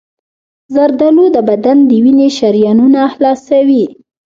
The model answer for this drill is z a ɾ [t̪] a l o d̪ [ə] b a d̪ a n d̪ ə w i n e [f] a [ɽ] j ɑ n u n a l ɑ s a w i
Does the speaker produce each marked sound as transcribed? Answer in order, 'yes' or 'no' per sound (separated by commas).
no, yes, no, no